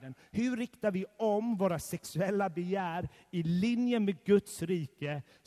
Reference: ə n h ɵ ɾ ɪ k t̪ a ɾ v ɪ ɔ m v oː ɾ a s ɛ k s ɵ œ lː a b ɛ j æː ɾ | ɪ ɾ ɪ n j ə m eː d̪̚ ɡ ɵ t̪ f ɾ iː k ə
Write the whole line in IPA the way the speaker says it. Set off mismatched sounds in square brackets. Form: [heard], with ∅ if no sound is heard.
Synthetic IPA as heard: ə n h ɵ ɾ ɪ k t̪ a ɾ v ɪ ɔ m v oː ɾ a s ɛ k s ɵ [ɛ] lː a b ɛ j æː ɾ | ɪ [l] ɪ n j ə m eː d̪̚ ɡ ɵ t̪ [s] ɾ iː k ə